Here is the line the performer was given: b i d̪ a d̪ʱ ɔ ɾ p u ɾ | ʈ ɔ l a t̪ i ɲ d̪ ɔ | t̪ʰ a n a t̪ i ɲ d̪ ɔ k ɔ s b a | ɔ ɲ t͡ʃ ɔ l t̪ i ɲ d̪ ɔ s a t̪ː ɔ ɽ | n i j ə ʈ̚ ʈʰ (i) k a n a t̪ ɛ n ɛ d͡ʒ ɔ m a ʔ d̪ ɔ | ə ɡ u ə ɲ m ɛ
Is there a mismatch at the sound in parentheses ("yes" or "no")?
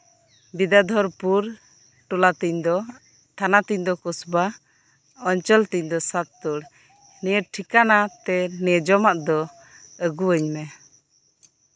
no